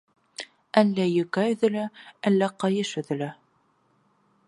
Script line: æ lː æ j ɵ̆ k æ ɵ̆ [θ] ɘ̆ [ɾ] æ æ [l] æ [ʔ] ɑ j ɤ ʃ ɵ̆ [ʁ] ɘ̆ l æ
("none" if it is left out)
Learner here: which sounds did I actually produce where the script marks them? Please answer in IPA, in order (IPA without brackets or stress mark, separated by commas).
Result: ð, l, lː, q, ð